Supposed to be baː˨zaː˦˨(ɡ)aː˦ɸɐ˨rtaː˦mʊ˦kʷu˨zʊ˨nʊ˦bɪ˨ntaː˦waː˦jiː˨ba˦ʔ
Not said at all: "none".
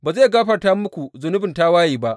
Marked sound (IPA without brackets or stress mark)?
ɡ